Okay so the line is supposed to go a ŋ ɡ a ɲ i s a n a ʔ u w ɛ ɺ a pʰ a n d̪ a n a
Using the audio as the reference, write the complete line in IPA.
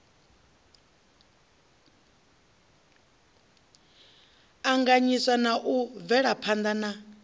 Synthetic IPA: a ŋ ɡ a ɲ i s a n a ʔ u v ɛ ɺ a pʰ a n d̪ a n a

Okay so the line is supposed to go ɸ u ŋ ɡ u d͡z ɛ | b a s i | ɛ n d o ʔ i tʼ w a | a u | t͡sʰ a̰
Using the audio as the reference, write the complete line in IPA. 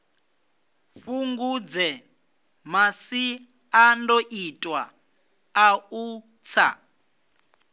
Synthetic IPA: ɸ u ŋ ɡ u d͡z ɛ | m a s i | a n d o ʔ i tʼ w a | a u | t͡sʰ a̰

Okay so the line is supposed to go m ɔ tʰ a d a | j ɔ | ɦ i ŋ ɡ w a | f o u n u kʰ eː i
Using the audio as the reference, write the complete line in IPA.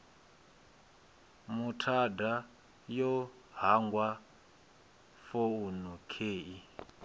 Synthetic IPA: m u tʰ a d a | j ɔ | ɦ a ŋ ɡ w a | f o u n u kʰ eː i

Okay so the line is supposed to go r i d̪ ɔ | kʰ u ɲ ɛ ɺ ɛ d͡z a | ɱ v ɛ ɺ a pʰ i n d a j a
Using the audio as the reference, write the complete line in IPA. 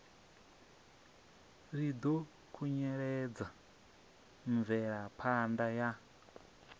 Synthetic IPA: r i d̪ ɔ | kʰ u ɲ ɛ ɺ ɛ d͡z a | ɱ v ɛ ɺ a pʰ a n d a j a

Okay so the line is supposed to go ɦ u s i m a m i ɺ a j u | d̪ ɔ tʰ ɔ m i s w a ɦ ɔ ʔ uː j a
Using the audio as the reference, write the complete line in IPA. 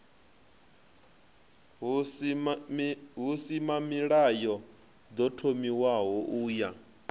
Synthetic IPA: ɦ u s i m a m i ɺ a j ɔ | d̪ ɔ tʰ o m i w a ɦ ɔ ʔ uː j a

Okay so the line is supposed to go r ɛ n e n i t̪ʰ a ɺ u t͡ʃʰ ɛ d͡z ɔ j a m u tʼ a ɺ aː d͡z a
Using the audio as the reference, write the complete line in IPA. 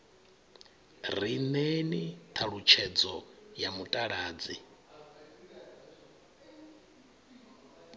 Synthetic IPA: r i n e n i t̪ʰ a ɺ u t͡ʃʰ ɛ d͡z ɔ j a m u tʼ a ɺ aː d͡z i

